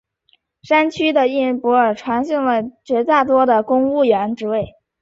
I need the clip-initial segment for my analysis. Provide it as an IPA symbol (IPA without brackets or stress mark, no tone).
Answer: ʂ